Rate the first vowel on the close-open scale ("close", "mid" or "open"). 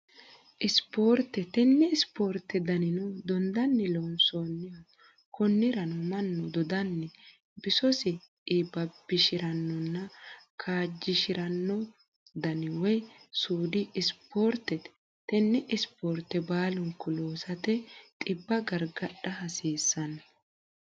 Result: close